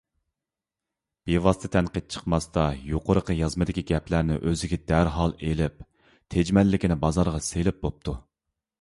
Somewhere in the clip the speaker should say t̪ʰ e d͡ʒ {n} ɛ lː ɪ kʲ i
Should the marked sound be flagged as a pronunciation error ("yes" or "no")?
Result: yes